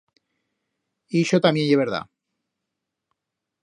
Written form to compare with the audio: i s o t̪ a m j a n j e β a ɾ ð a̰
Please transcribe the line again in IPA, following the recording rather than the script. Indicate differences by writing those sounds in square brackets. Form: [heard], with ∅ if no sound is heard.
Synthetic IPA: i [ʃ] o t̪ a m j [e] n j e β [e] ɾ ð a̰